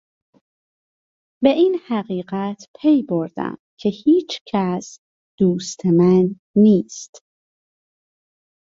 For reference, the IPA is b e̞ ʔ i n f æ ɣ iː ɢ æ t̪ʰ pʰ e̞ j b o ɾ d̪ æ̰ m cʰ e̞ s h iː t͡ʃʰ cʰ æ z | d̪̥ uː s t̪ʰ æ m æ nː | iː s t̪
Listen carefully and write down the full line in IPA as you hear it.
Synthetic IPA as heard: b e̞ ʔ i n h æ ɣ iː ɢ æ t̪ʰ pʰ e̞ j b o ɾ d̪ æ̰ m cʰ e̞ h iː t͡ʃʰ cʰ æ s | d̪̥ uː s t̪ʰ e m æ nː | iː s t̪